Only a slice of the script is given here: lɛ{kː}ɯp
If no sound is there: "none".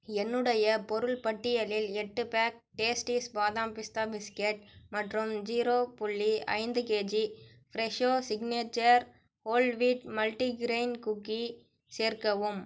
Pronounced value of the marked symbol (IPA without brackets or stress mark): ʈː